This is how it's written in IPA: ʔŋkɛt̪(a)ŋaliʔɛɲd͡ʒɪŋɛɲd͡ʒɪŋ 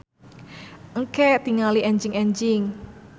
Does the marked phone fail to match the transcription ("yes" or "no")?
yes